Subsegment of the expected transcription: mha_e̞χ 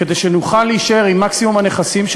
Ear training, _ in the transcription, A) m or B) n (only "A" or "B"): B